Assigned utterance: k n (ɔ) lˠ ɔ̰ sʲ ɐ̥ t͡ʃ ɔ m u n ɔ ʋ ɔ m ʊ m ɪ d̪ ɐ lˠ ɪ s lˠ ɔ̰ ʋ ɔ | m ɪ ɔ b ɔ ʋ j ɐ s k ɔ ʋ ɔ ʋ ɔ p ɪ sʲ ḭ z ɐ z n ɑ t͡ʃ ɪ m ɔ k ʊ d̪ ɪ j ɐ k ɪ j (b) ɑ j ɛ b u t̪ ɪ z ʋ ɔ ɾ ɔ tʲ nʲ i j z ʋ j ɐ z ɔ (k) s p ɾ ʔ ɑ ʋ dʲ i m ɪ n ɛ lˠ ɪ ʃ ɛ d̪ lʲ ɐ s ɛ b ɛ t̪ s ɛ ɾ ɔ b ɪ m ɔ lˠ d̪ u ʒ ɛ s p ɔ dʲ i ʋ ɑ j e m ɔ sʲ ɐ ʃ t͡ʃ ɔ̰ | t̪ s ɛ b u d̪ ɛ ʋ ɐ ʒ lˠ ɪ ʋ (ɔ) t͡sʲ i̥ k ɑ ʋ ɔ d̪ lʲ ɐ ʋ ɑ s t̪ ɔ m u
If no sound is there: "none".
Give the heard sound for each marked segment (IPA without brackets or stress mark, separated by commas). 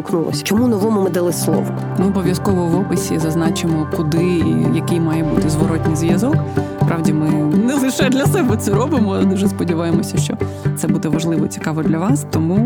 u, m, k, ɔ